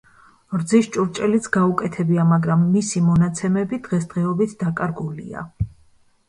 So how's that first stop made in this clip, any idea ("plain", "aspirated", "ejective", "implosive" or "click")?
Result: plain